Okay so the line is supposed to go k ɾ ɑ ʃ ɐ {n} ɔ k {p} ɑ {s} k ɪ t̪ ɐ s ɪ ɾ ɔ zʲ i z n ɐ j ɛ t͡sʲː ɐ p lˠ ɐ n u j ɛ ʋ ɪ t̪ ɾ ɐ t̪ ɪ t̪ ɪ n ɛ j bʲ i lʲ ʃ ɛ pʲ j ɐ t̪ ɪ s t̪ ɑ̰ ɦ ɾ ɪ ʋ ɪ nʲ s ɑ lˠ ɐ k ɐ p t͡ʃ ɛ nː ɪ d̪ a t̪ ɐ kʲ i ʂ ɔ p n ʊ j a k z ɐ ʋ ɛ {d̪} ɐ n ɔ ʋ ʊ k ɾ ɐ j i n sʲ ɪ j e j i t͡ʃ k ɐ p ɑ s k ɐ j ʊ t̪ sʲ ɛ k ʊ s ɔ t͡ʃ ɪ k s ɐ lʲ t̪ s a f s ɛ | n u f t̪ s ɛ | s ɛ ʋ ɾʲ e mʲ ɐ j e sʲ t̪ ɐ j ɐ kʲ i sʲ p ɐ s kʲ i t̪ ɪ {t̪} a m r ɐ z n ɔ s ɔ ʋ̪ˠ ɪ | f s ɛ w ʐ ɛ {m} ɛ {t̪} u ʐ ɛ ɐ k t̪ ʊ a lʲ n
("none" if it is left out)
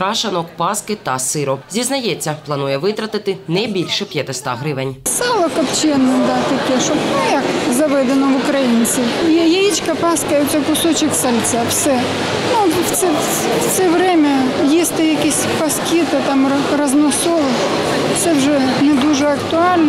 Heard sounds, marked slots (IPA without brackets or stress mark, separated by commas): n, p, s, d̪, t̪, n, d̪